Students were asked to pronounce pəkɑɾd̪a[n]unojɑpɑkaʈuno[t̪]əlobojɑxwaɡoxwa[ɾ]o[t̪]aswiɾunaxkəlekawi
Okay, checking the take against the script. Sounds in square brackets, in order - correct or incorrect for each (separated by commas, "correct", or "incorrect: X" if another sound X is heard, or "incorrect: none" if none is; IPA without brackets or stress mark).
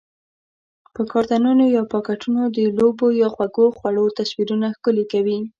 correct, incorrect: d̪, incorrect: ɽ, correct